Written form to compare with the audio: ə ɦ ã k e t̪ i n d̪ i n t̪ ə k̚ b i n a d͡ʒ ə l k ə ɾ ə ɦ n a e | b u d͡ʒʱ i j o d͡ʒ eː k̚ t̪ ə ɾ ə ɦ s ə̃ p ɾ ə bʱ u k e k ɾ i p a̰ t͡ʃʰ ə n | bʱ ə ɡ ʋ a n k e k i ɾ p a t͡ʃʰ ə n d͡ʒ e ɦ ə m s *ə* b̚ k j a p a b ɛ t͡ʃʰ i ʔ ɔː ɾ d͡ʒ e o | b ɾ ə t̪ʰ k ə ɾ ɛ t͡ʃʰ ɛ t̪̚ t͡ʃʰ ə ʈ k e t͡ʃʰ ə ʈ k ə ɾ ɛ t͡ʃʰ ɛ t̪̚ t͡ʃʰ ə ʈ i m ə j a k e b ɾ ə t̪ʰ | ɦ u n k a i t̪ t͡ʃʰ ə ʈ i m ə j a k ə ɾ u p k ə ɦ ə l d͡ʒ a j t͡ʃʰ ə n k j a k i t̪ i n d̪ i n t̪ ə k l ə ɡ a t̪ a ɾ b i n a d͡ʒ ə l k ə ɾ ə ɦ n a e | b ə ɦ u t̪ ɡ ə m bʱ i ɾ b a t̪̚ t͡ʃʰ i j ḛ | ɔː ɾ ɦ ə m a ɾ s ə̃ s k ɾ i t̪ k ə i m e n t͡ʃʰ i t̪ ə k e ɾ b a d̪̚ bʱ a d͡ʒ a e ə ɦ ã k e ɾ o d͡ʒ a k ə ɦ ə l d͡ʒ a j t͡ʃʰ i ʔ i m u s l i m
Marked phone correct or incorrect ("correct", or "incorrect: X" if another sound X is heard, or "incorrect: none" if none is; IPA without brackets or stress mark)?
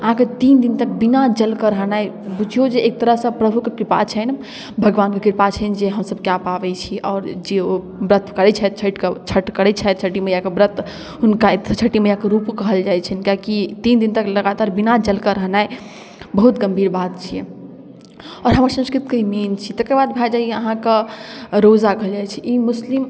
correct